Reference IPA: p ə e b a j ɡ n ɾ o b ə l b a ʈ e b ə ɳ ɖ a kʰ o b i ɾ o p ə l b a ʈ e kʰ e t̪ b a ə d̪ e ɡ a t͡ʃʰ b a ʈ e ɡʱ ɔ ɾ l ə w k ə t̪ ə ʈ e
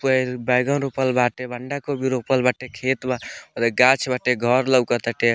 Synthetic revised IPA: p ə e b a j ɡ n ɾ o p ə l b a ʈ e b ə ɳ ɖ a k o b i ɾ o p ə l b a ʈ e kʰ e t̪ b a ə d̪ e ɡ a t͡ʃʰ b a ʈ e ɡʱ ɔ ɾ l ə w k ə t̪ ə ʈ e